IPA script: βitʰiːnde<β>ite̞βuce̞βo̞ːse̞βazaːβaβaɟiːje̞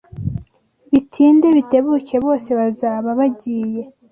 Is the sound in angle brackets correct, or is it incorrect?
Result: correct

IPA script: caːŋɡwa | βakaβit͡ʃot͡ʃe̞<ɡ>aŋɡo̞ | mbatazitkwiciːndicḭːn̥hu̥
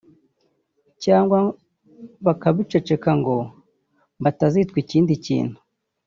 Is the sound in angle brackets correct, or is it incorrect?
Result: incorrect: k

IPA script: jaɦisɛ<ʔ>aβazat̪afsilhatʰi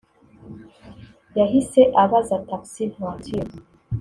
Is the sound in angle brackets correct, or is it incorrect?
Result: correct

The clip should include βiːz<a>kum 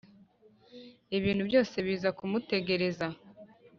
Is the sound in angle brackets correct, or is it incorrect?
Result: correct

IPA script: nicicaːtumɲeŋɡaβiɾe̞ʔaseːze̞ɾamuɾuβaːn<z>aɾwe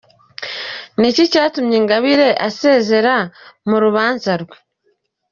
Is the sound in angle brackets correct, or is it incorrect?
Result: correct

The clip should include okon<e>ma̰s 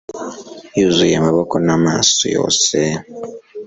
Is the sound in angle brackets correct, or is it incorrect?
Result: incorrect: a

